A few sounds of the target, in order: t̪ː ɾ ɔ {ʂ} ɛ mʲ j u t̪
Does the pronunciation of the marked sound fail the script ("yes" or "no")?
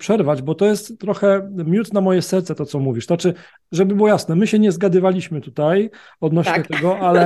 yes